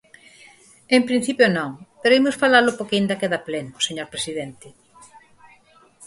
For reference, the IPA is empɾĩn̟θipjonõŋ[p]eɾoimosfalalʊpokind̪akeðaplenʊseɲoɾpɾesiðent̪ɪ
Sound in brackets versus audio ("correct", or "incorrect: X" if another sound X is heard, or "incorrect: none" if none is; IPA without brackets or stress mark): correct